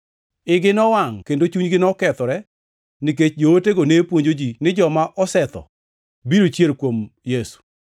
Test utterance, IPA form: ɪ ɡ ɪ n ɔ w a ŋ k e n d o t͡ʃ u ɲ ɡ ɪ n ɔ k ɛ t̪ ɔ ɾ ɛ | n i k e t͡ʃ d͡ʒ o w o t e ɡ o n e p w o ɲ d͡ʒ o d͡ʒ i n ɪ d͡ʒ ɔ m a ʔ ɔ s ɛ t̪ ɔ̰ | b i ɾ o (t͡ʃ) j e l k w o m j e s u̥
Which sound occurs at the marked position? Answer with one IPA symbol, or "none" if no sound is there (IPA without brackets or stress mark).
t͡ʃ